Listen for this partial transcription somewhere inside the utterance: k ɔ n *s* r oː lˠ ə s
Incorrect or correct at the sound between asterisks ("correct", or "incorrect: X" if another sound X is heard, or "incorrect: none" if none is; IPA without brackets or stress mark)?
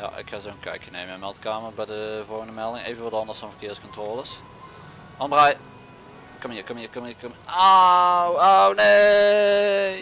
incorrect: t